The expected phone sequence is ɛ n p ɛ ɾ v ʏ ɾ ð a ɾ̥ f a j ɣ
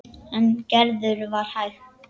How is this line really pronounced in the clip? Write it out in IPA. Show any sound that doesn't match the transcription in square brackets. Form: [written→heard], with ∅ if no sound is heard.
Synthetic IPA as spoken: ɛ n [p→c] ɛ ɾ [v→ð] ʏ ɾ [ð→v] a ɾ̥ [f→h] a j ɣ